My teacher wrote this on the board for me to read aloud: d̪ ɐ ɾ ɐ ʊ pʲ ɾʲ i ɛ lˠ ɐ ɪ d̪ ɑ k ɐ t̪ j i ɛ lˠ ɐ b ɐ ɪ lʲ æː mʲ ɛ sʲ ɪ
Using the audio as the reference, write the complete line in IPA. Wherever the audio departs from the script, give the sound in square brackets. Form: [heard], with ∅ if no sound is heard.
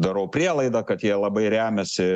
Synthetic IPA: d̪ ɐ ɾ ɐ ʊ pʲ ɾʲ i ɛ lˠ ɐ ɪ d̪ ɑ k ɐ t̪ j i ɛ lˠ ɐ b ɐ ɪ [ɾʲ] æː mʲ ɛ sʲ ɪ